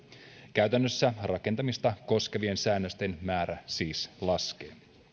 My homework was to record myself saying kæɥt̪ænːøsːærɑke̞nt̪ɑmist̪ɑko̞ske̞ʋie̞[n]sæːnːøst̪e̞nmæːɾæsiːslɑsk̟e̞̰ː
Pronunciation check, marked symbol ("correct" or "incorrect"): correct